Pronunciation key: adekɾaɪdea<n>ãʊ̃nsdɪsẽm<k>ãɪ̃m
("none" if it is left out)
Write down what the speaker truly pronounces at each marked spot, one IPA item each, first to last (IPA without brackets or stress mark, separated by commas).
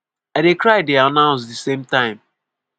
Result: n, t